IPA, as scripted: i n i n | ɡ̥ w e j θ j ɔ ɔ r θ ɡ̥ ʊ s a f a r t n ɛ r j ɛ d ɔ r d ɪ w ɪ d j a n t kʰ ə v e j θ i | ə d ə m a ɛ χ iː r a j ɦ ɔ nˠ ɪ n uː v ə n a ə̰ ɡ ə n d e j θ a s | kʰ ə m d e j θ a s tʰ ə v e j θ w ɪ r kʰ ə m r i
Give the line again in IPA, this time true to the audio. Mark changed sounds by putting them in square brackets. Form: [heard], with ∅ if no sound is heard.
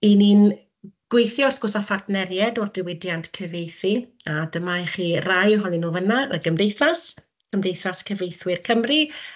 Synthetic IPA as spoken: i n i n | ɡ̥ w e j θ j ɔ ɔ r θ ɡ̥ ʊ s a f a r t n ɛ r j ɛ d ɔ r d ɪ w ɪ d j a n t kʰ ə v e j θ i | [a] d ə m a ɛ χ iː r a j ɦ ɔ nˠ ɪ n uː v ə n a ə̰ ɡ ə [m] d e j θ a s | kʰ ə m d e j θ a s [kʰ] ə v e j θ w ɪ r kʰ ə m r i

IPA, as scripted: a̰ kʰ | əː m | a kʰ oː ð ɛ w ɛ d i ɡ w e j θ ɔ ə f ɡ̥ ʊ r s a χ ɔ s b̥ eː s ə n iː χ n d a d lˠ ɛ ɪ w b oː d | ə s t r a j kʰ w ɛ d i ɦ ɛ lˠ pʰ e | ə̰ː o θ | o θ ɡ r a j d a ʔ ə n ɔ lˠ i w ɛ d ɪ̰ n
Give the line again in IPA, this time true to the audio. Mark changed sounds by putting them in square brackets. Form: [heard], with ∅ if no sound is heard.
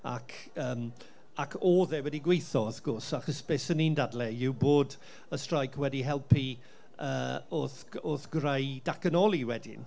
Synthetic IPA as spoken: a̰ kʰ | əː m | a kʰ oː ð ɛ w ɛ d i ɡ w e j θ ɔ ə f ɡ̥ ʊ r s a χ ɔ s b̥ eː s ə n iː [∅] n d a d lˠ ɛ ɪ w b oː d | ə s t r a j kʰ w ɛ d i ɦ ɛ lˠ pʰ [i] | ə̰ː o θ | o θ ɡ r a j d a [k] ə n ɔ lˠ i w ɛ d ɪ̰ n

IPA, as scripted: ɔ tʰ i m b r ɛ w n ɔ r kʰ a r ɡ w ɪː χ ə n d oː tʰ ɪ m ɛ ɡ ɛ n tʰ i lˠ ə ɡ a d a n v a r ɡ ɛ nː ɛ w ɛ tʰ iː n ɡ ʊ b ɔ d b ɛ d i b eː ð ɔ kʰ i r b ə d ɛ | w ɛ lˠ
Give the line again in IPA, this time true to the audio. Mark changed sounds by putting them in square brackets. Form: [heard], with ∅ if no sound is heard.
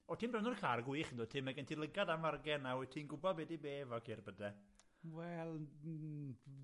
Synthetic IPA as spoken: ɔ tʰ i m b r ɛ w n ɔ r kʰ a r ɡ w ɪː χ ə n d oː tʰ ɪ m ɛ ɡ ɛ n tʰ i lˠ ə ɡ a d a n v a r ɡ ɛ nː [a] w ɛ tʰ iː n ɡ ʊ b ɔ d b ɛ d i b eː [v] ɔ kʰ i r b ə d ɛ | w ɛ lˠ

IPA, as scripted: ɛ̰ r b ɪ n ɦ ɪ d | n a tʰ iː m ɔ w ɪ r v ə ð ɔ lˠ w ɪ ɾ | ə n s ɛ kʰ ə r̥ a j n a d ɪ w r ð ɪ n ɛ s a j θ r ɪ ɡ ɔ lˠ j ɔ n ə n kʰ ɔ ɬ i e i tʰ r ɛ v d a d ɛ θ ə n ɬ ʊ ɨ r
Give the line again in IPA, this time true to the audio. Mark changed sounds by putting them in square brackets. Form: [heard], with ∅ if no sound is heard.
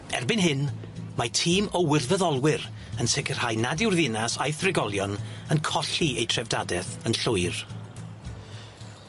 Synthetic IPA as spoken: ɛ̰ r b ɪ n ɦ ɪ [n] | [m] a tʰ iː m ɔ w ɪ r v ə ð ɔ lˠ w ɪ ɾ | ə n s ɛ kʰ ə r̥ a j n a d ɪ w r ð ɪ n [a] s a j θ r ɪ ɡ ɔ lˠ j ɔ n ə n kʰ ɔ ɬ i e [j] tʰ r ɛ v d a d ɛ θ ə n ɬ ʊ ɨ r

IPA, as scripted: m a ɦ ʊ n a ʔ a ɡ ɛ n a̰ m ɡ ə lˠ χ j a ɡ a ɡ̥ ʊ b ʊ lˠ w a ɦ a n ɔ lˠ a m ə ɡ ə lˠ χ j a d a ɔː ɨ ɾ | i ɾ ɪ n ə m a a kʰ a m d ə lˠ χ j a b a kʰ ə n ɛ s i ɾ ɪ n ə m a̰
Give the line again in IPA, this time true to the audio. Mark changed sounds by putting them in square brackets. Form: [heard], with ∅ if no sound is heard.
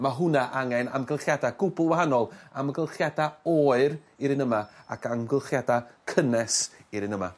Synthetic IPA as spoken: m a ɦ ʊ n a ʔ a [ŋ] ɛ n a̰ m ɡ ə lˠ χ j a [d] a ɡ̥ ʊ b ʊ lˠ w a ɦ a n ɔ lˠ a m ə ɡ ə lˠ χ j a d a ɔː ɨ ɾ | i ɾ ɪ n ə m a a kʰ a m [ɡ] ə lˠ χ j a [d] a kʰ ə n ɛ s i ɾ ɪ n ə m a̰

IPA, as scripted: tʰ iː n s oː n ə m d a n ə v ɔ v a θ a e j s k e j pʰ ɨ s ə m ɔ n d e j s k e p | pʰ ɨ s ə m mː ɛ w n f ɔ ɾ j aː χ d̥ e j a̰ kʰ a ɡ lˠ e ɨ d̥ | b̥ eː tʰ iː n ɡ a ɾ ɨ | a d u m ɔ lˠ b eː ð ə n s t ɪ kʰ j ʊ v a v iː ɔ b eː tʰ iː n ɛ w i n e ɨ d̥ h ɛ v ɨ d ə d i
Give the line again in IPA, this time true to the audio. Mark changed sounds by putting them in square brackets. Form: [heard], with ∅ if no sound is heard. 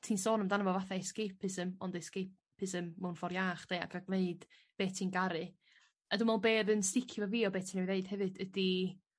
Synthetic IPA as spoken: tʰ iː n s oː n ə m d a n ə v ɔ v a θ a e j s k e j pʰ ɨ s ə m ɔ n d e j s k e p | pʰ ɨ s ə m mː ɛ w n f ɔ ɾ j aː χ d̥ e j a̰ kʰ a ɡ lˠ e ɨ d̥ | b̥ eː tʰ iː n ɡ a ɾ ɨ | a d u m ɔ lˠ b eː ð ə n s t ɪ kʰ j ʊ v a v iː ɔ b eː tʰ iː n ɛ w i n e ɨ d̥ h ɛ v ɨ d ə d i

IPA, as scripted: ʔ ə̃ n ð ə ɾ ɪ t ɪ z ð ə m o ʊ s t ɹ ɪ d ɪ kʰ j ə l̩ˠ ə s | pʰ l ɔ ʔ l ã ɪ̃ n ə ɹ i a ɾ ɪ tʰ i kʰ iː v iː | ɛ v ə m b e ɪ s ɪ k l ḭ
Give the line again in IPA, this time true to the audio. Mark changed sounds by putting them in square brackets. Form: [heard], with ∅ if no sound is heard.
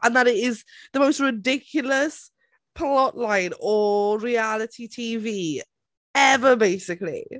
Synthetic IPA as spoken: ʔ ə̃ n ð ə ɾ ɪ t ɪ z ð ə m o ʊ s t ɹ ɪ d ɪ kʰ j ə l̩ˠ ə s | pʰ l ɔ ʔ l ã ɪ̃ n ə ɹ i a [l] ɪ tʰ i [tʰ] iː v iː | ɛ v ə [∅] b e ɪ s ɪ k l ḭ

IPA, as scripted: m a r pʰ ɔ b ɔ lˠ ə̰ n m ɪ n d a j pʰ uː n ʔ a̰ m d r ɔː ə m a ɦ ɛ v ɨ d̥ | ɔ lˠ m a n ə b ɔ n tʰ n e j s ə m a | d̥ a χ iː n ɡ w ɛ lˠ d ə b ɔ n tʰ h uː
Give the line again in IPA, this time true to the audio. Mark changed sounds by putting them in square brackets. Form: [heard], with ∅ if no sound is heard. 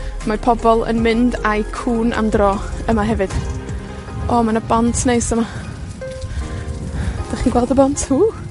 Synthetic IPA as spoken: m a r pʰ ɔ b ɔ lˠ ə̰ n m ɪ n d a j [kʰ] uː n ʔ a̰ m d r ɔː ə m a ɦ ɛ v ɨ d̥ | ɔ [∅] m a n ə b ɔ n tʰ n e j s ə m a | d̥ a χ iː n ɡ w ɛ lˠ d ə b ɔ n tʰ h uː

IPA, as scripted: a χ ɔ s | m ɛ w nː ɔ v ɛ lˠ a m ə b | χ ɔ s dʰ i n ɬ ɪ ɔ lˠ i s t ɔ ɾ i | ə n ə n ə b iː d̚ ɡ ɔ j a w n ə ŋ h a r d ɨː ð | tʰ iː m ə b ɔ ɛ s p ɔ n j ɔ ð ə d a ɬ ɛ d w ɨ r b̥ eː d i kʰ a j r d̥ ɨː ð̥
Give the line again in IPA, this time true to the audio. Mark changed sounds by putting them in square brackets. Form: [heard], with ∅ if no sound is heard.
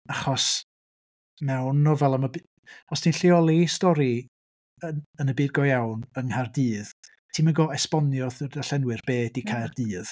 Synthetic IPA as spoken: a χ ɔ s | m ɛ w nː ɔ v ɛ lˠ a m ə b | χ ɔ s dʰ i n ɬ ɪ ɔ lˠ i s t ɔ ɾ i | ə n ə n ə b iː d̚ ɡ ɔ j a w n ə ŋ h a r d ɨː ð | tʰ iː m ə [ɡ] ɔ ɛ s p ɔ n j ɔ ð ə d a ɬ ɛ [n] w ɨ r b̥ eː d i kʰ a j r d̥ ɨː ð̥

